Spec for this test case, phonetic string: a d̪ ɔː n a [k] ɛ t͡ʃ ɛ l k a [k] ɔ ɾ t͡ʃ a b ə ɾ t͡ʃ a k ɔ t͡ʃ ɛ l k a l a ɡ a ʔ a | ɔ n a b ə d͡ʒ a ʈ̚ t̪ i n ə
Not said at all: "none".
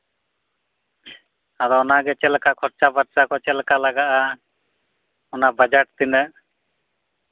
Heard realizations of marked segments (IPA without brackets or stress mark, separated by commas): ɡ, kʰ